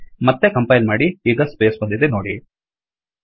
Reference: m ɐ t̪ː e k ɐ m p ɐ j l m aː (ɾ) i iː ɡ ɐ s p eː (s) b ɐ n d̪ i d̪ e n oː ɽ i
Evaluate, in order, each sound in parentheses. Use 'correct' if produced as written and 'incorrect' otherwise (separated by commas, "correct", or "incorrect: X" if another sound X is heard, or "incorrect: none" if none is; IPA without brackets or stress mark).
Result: incorrect: ɽ, correct